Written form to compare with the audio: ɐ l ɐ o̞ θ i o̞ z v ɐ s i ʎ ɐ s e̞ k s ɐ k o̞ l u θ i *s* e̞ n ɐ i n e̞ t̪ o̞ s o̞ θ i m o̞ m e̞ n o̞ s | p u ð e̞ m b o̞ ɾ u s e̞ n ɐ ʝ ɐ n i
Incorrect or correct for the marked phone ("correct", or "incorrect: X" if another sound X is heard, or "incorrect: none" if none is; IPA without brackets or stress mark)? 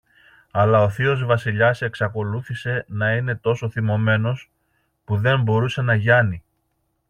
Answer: correct